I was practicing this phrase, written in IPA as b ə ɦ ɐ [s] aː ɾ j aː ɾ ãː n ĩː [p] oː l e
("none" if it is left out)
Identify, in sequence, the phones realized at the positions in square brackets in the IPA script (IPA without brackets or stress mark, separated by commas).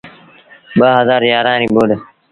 z, b